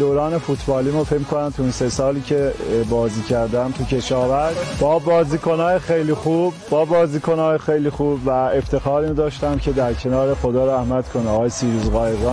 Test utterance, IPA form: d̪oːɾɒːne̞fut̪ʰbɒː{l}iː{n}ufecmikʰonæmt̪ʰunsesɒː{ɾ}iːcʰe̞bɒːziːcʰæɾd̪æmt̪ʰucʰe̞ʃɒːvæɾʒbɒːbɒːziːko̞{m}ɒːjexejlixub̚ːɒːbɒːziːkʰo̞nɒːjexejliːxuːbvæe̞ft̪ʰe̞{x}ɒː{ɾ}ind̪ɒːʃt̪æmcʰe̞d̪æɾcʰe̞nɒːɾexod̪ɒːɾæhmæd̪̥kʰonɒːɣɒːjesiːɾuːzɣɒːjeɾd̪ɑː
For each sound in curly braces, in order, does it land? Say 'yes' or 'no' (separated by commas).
yes, no, no, no, yes, yes